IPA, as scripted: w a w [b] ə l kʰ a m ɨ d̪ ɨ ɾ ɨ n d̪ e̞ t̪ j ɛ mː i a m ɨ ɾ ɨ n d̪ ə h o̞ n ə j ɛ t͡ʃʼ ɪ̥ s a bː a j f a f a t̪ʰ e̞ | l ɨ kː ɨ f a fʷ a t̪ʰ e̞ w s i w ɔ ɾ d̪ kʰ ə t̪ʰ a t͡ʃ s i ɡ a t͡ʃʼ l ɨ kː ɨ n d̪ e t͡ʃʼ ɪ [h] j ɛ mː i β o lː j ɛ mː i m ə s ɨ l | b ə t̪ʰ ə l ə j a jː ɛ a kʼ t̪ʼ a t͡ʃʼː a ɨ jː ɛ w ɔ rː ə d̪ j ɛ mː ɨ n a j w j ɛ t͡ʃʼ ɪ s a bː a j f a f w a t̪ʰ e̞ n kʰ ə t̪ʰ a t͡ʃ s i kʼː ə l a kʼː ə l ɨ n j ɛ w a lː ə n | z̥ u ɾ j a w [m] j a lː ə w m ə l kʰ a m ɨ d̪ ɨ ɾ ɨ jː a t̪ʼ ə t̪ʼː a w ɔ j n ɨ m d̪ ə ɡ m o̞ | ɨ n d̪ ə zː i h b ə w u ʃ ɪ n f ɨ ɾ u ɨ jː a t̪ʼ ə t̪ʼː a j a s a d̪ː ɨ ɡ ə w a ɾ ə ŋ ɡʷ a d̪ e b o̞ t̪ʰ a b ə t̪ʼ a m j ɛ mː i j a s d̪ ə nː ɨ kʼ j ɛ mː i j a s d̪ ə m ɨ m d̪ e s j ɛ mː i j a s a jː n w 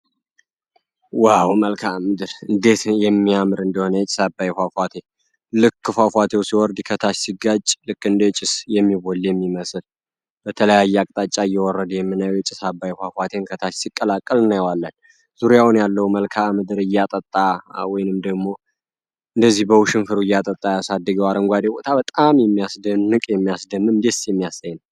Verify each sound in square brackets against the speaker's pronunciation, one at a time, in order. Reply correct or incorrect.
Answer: incorrect, incorrect, incorrect

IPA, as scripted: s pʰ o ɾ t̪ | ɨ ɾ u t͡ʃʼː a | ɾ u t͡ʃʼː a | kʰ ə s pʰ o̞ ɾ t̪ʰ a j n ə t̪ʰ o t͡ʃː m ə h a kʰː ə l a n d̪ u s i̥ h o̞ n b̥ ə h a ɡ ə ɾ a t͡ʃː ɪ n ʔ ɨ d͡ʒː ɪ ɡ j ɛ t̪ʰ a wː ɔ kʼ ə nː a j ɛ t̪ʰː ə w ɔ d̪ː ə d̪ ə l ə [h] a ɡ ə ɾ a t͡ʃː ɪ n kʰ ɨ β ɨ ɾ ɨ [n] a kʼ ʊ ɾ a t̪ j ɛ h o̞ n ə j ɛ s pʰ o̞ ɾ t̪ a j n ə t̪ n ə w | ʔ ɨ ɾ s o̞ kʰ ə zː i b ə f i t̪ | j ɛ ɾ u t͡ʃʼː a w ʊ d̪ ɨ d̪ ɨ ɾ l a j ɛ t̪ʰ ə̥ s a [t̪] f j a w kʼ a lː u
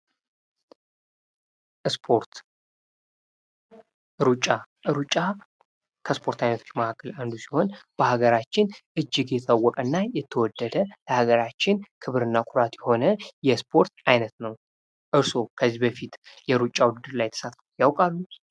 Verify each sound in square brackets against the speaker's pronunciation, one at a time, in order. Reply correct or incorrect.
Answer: correct, incorrect, correct

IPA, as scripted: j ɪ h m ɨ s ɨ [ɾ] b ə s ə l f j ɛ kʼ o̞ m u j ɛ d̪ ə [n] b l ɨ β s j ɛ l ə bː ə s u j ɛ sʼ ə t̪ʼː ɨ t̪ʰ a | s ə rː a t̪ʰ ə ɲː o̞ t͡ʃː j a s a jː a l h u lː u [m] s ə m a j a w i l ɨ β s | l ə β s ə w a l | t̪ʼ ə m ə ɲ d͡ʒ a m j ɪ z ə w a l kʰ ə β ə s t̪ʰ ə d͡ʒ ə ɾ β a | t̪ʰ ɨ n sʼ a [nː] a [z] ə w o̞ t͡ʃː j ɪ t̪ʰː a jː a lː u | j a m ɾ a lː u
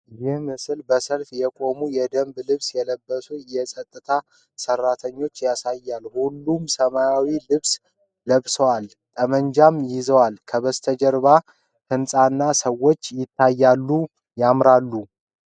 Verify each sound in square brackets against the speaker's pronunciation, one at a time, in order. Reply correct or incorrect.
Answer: incorrect, incorrect, correct, correct, incorrect

